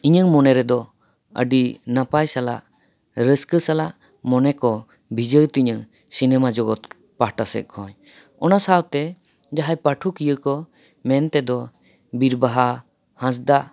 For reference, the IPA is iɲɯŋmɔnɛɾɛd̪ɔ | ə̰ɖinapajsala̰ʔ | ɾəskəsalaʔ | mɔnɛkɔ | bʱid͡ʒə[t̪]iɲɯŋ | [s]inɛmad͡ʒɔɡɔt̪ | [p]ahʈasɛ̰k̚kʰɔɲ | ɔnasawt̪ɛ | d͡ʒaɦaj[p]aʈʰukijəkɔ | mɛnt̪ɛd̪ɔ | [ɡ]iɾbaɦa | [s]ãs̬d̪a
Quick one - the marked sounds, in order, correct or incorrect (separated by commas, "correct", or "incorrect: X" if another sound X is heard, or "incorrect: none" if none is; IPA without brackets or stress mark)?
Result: correct, correct, correct, correct, incorrect: b, incorrect: h